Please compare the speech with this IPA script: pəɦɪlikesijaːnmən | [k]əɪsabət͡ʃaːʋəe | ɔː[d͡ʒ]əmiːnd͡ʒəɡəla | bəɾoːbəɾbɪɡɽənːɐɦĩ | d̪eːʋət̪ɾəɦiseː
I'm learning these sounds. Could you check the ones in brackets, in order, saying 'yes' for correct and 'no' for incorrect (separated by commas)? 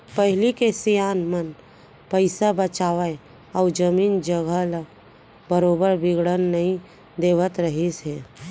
no, yes